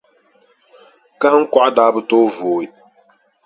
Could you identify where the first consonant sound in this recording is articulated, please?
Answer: velar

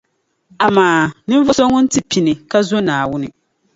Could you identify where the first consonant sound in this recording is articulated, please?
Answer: labial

